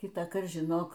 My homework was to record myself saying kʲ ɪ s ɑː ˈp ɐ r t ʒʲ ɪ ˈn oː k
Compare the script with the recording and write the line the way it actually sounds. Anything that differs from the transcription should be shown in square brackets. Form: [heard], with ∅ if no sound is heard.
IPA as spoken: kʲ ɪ [t] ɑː [ˈk] ɐ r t ʒʲ ɪ ˈn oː k

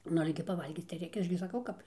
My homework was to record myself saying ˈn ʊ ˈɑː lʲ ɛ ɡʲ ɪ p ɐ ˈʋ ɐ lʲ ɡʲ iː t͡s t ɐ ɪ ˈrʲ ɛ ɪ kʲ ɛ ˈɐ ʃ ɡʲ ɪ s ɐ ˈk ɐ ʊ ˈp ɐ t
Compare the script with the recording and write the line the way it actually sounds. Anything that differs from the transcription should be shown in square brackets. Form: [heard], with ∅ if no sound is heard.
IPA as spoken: ˈn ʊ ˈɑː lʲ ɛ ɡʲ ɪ p ɐ ˈʋ ɐ lʲ ɡʲ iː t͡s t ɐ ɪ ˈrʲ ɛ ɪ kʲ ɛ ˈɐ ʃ ɡʲ ɪ s ɐ ˈk ɐ ʊ [ˈk] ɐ [p]

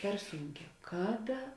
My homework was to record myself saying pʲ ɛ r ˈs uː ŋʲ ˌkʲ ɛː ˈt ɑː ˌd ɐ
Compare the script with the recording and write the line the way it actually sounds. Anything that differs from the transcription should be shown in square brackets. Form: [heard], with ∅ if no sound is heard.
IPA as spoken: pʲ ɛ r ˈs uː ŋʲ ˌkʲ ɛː [ˈk] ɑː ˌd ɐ

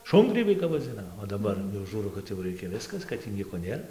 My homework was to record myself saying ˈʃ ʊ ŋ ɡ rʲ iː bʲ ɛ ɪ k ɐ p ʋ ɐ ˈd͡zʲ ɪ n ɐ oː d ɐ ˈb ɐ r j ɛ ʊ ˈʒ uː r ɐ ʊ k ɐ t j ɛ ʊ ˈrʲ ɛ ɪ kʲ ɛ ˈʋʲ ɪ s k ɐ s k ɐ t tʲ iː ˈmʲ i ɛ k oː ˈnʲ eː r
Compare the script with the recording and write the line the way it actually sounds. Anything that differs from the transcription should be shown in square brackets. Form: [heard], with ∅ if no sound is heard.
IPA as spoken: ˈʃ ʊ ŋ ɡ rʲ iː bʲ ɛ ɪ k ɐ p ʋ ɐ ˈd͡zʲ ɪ n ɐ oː d ɐ ˈb ɐ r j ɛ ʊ ˈʒ uː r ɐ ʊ k ɐ t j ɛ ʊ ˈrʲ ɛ ɪ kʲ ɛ ˈʋʲ ɪ s k ɐ s k ɐ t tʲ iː [ˈnʲ] i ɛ k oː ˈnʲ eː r

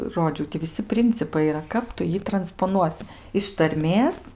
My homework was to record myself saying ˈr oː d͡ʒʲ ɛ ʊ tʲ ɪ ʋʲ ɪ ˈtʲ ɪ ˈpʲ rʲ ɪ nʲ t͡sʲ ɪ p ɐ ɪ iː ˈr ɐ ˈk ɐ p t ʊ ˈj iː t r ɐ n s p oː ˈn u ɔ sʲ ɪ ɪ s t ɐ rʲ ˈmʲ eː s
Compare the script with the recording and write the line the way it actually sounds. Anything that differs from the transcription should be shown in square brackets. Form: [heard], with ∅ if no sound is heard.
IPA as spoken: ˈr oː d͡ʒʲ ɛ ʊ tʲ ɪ ʋʲ ɪ [ˈsʲ] ɪ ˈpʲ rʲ ɪ nʲ t͡sʲ ɪ p ɐ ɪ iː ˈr ɐ ˈk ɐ p t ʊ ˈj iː t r ɐ n s p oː ˈn u ɔ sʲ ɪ ɪ [ʃ] t ɐ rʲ ˈmʲ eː s

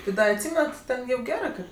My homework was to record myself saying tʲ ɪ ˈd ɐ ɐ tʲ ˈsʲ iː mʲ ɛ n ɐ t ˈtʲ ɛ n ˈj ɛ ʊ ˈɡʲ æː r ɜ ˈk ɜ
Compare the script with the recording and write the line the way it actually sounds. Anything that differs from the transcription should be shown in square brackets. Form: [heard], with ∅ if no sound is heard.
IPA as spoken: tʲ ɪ ˈd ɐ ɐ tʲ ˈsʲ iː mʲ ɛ n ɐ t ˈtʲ ɛ n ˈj ɛ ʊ ˈɡʲ æː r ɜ ˈk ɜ

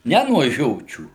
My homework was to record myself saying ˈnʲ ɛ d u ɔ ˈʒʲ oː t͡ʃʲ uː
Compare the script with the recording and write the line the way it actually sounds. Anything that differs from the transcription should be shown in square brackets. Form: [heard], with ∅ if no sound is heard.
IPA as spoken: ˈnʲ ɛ [n] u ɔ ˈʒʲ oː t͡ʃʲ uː

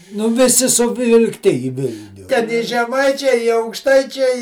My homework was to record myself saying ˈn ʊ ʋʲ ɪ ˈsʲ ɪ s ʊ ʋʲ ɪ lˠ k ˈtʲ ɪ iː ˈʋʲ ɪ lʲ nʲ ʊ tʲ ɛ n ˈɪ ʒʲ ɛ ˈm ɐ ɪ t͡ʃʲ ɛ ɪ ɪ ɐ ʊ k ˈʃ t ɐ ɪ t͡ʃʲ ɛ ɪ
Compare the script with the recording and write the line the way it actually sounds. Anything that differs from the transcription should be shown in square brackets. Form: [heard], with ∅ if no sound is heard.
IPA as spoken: ˈn ʊ ʋʲ ɪ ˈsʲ ɪ s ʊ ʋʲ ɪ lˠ k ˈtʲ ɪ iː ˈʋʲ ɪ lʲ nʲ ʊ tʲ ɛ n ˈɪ ʒʲ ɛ ˈm ɐ ɪ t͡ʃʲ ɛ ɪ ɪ ɐ ʊ k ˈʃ t ɐ ɪ t͡ʃʲ ɛ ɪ

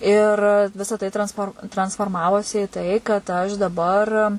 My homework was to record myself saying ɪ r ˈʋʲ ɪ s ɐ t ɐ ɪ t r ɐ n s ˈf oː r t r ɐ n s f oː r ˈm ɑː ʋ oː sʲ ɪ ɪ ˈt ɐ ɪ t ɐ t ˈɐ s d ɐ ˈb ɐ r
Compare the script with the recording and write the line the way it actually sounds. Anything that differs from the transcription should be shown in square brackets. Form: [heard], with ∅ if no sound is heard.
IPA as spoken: ɪ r ˈʋʲ ɪ s ɐ t ɐ ɪ t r ɐ n s ˈf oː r t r ɐ n s f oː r ˈm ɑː ʋ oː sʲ ɪ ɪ ˈt ɐ ɪ [k] ɐ t ˈɐ [ʃ] d ɐ ˈb ɐ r

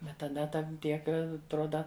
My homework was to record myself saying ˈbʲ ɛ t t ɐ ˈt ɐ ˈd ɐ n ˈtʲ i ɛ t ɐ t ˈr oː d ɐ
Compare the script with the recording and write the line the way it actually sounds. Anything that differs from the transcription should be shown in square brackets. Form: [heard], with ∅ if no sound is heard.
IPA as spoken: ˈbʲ ɛ t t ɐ [ˈd] ɐ [ˈt] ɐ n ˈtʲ i ɛ [k] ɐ t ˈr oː d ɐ

